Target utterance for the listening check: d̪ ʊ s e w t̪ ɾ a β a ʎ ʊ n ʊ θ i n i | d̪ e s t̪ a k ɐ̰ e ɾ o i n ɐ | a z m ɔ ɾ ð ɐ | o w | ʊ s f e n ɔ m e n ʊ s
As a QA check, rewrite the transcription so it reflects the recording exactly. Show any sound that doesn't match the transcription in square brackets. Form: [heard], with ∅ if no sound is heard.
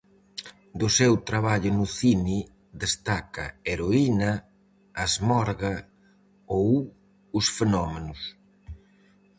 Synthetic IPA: d̪ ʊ s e w t̪ ɾ a β a ʎ ʊ n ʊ θ i n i | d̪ e s t̪ a k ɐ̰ e ɾ o i n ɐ | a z m ɔ ɾ [ɣ] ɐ | o w | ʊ s f e n ɔ m e n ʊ s